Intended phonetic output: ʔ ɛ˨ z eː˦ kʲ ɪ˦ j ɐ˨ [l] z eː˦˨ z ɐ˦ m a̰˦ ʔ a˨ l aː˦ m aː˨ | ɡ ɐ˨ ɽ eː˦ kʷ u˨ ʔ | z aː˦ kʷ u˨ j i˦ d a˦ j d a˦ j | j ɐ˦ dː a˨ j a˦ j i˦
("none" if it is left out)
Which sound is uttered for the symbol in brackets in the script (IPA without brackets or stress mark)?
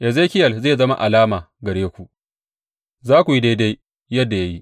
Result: l